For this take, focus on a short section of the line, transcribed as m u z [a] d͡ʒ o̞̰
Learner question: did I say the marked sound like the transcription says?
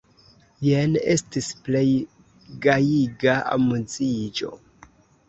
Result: no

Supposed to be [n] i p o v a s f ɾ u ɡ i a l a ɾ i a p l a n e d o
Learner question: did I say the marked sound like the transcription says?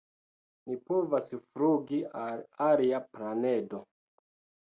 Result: yes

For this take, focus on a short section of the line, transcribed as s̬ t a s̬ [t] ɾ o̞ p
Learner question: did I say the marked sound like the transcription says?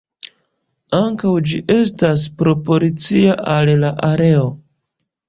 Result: no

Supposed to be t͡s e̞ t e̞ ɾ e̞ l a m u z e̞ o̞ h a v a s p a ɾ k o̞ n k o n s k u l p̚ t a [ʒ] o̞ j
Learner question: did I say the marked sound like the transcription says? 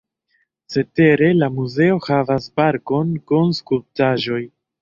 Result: yes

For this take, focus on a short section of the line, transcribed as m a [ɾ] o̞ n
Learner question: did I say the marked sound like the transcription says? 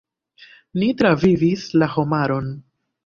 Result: yes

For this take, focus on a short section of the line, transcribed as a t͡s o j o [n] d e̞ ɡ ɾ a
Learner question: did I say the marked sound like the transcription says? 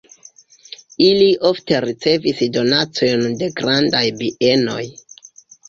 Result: yes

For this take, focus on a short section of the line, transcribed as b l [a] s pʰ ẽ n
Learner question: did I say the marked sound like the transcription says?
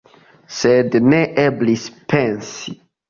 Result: no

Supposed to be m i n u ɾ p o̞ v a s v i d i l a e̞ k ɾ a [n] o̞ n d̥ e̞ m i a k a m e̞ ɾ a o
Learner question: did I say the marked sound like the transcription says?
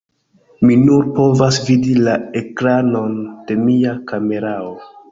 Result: yes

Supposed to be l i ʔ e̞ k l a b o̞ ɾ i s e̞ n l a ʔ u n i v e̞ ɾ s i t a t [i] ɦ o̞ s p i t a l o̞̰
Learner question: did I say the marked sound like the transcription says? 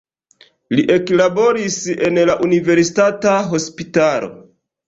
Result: no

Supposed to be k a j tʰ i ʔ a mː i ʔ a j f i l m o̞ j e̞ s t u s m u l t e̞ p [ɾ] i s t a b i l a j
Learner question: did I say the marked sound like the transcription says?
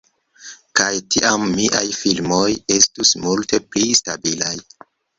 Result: no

